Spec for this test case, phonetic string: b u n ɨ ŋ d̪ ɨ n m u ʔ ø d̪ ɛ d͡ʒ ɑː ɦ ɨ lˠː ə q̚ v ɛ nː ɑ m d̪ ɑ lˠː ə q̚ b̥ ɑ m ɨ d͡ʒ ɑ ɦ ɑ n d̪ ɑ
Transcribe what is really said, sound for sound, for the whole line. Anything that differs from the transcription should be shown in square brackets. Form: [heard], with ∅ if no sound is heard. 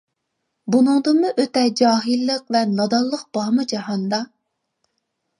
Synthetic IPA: b u n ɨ ŋ d̪ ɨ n m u ʔ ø [t̪] ɛ d͡ʒ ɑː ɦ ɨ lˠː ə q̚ v ɛ [n] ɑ [∅] d̪ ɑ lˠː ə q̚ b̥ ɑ m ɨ d͡ʒ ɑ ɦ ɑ n d̪ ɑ